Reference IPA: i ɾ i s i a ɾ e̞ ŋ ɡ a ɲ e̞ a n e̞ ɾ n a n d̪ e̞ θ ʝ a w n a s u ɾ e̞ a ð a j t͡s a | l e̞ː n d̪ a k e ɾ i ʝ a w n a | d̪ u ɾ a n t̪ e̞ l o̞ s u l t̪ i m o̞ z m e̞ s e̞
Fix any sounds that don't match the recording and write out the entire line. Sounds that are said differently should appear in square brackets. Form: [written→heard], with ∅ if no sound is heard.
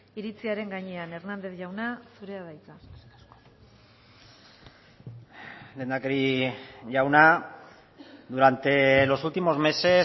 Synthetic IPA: i ɾ i [s→t͡s] i a ɾ e̞ ŋ ɡ a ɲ e̞ a n e̞ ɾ n a n d̪ e̞ θ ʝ a w n a s u ɾ e̞ a ð a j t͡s a | l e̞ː n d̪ a k e ɾ i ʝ a w n a | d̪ u ɾ a n t̪ e̞ l o̞ s u l t̪ i m o̞ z m e̞ s e̞